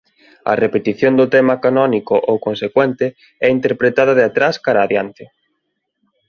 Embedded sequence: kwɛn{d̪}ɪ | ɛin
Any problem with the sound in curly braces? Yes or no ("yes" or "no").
yes